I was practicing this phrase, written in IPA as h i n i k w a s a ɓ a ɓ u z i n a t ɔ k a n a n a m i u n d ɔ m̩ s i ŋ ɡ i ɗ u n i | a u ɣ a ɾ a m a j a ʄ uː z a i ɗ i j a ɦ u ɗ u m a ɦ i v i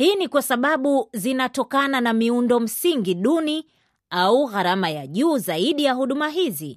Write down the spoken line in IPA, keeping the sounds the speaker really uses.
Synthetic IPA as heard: h i n i k w a s a ɓ a ɓ u z i n a t ɔ k a n a n a m i u n d ɔ m̩ s i ŋ ɡ i ɗ u n i | a u ɣ a ɾ a m a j a ʄ uː z a i ɗ i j a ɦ u ɗ u m a ɦ i z i